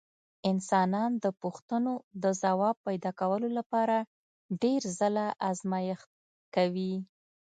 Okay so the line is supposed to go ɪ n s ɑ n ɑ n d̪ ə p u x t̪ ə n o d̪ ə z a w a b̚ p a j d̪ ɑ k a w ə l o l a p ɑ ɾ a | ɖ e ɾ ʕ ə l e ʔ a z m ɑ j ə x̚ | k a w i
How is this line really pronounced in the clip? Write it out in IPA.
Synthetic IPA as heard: ɪ n s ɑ n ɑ n d̪ ə p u x t̪ ə n o d̪ ə z a w ɑ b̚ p a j d̪ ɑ k a w ə l o l a p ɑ ɾ a | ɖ e ɾ z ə l a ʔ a z m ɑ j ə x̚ | k a w i